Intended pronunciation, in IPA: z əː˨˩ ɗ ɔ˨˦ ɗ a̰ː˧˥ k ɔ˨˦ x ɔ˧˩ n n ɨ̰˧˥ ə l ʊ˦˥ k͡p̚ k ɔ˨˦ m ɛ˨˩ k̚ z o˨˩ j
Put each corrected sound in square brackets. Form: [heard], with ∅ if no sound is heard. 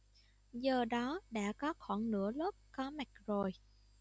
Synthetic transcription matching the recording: z əː˨˩ ɗ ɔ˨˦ ɗ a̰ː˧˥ k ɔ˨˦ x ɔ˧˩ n n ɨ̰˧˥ ə l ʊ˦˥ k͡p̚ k ɔ˨˦ m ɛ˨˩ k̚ z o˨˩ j